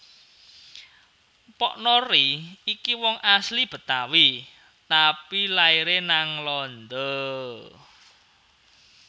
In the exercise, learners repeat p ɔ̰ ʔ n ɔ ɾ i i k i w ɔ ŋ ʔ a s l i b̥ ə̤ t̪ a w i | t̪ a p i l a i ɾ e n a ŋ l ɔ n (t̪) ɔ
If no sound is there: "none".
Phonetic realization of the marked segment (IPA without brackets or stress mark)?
d̪